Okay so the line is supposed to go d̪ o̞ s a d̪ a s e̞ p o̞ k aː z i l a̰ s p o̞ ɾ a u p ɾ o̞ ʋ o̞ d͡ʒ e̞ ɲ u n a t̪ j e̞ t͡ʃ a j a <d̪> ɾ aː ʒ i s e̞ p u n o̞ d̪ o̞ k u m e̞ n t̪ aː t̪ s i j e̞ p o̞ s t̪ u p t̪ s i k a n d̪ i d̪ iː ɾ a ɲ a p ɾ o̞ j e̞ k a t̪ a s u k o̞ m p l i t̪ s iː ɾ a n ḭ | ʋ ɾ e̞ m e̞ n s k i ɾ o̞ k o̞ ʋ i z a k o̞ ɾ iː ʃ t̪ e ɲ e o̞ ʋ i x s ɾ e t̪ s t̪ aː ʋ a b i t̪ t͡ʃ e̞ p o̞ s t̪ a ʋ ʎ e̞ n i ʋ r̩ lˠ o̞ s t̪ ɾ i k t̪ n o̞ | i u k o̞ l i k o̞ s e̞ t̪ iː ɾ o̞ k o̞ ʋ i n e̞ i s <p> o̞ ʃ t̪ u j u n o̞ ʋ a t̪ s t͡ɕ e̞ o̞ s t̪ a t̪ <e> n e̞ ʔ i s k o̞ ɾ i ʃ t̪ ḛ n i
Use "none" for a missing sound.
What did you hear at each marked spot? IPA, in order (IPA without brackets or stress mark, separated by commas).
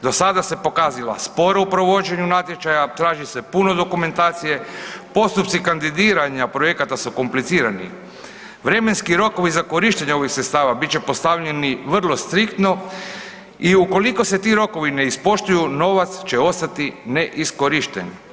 t̪, p, i